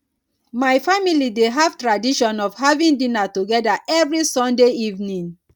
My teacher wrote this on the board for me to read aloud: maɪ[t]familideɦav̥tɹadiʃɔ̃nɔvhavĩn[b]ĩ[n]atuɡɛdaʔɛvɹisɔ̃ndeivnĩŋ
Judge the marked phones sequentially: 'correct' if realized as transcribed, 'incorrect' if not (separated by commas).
incorrect, incorrect, correct